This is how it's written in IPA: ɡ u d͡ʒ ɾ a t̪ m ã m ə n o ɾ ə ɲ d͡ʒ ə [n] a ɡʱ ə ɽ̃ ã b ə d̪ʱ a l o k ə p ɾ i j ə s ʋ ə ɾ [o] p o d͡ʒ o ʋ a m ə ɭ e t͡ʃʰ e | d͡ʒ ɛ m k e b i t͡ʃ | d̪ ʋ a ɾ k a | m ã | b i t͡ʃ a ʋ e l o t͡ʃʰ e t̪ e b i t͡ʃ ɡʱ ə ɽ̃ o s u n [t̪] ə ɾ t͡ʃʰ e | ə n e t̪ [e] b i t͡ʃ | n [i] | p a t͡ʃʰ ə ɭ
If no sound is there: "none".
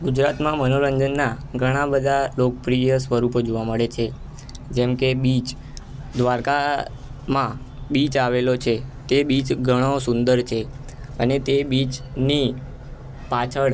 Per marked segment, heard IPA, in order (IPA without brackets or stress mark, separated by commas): nː, u, d̪, e, i